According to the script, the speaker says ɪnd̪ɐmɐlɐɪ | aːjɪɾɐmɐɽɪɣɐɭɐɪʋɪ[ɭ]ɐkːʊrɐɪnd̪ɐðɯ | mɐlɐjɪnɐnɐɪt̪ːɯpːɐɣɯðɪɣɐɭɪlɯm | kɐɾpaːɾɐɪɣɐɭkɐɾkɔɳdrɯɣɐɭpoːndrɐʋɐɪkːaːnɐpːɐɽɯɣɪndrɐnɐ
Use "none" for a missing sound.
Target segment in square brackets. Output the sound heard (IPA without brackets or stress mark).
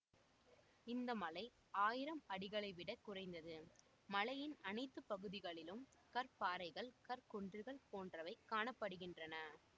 ɽ